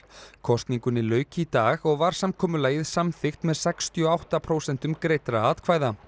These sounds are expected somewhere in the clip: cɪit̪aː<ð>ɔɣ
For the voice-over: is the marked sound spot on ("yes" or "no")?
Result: no